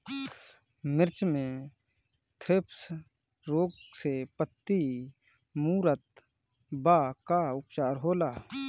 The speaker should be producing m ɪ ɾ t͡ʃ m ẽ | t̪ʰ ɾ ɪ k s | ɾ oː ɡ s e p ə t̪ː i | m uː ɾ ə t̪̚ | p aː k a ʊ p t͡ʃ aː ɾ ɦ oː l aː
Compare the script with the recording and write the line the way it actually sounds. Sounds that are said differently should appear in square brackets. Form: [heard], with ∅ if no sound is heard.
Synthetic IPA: m ɪ ɾ t͡ʃ m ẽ | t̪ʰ ɾ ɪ [p] s | ɾ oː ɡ s e p ə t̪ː i | m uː ɾ ə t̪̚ | [b] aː k a ʊ p t͡ʃ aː ɾ ɦ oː l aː